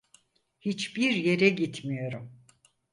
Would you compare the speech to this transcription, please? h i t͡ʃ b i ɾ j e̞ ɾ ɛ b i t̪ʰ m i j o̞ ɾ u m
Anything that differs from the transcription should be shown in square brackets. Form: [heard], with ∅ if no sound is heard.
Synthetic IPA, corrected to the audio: h i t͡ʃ b i ɾ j e̞ ɾ ɛ [ɟ] i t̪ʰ m i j o̞ ɾ u m